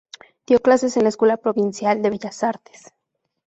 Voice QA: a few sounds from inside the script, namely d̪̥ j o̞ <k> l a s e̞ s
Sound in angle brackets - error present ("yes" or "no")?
no